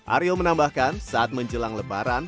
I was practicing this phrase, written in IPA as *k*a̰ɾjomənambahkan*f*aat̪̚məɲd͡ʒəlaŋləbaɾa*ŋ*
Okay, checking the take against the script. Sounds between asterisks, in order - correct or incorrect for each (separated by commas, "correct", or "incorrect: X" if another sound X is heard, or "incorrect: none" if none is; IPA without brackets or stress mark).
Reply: incorrect: ʔ, incorrect: s, incorrect: n